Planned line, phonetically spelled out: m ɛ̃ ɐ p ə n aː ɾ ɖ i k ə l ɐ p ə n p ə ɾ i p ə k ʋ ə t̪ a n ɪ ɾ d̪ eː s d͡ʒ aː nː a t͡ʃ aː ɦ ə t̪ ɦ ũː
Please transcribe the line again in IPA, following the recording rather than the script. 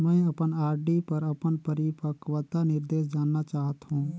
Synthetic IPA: m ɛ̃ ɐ p ə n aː ɾ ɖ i p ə ɾ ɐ p ə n p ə ɾ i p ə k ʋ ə t̪ a n ɪ ɾ d̪ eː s d͡ʒ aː nː a t͡ʃ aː ɦ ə t̪ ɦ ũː